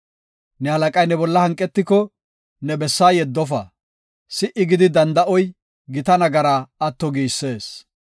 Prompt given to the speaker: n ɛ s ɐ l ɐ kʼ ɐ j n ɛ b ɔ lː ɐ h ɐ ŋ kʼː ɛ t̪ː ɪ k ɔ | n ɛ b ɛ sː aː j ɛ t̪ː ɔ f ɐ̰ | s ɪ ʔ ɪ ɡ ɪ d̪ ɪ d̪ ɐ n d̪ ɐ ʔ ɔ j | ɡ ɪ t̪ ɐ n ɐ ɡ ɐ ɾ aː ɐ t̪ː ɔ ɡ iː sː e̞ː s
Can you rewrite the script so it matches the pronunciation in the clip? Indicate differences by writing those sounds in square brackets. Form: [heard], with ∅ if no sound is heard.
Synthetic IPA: n ɛ [h] ɐ l ɐ kʼ ɐ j n ɛ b ɔ lː ɐ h ɐ ŋ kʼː ɛ t̪ː ɪ k ɔ | n ɛ b ɛ sː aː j ɛ [d̪ː] ɔ f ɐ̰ | s ɪ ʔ ɪ ɡ ɪ d̪ ɪ d̪ ɐ n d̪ ɐ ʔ ɔ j | ɡ ɪ t̪ ɐ n ɐ ɡ ɐ ɾ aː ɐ t̪ː ɔ ɡ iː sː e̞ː s